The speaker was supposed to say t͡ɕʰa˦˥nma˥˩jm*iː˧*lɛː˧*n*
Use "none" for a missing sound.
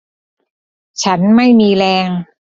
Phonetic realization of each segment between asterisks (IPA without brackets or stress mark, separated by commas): iː˧, ŋ